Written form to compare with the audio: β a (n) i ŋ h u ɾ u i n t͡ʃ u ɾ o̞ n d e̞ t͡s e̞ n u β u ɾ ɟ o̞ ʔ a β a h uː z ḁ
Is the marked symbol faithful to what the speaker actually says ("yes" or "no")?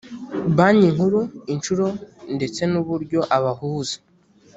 no